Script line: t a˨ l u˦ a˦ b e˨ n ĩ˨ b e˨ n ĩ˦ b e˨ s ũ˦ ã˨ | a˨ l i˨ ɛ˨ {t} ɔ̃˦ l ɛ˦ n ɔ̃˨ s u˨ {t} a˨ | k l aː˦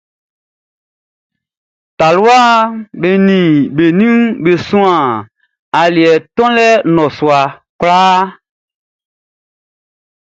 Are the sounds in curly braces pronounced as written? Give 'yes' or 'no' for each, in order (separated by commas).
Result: yes, no